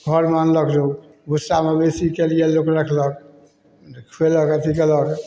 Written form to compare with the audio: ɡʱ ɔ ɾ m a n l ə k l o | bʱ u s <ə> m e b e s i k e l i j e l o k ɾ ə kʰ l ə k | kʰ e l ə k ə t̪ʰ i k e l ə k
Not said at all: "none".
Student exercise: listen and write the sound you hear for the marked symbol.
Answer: a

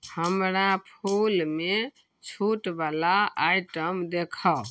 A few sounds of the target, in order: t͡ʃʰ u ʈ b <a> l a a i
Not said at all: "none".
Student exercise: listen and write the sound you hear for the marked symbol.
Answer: a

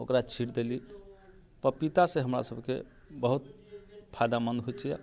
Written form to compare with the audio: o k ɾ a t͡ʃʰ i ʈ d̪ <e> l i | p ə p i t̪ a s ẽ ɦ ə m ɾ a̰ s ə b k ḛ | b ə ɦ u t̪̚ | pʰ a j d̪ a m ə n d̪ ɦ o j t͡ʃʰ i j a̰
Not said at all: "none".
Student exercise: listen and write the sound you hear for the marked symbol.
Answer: e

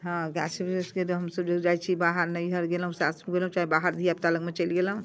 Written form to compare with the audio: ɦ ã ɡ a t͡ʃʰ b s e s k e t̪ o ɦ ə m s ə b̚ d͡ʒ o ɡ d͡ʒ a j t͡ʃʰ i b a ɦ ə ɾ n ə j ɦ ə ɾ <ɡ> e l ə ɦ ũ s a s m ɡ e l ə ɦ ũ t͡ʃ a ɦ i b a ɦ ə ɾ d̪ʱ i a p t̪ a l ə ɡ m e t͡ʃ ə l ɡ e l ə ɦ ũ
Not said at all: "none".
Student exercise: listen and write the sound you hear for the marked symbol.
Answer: ɡ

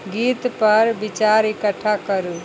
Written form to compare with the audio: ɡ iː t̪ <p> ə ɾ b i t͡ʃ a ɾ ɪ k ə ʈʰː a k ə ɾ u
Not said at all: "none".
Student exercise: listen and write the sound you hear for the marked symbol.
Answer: p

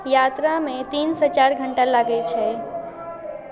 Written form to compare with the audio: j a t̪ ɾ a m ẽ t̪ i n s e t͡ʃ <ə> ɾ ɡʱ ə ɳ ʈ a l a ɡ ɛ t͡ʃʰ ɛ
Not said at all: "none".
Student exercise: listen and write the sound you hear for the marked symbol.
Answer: a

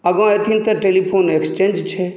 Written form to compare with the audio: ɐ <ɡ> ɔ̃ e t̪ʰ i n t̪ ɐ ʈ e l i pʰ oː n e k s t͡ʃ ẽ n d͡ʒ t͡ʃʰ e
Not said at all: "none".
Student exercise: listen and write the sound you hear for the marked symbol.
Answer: ɡ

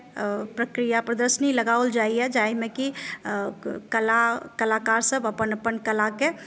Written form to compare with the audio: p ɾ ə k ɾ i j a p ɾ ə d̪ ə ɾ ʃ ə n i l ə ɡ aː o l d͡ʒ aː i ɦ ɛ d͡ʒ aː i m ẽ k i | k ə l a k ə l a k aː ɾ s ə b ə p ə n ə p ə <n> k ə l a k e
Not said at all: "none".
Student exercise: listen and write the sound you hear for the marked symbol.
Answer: n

